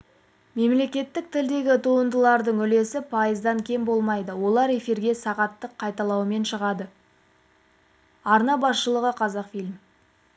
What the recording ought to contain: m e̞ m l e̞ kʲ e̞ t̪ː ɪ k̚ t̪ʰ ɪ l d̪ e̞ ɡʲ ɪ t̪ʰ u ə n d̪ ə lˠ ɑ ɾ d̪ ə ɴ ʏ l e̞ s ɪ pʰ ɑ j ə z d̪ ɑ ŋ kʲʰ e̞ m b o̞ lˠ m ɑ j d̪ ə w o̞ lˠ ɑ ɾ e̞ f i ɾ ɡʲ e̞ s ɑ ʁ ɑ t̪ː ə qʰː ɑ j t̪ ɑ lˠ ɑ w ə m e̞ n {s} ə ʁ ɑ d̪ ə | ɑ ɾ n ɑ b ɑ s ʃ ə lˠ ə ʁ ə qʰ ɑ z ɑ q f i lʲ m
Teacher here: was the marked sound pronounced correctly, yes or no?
no